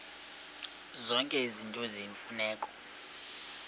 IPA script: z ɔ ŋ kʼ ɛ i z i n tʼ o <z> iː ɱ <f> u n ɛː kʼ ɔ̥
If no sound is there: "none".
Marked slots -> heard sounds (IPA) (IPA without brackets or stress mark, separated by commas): z, f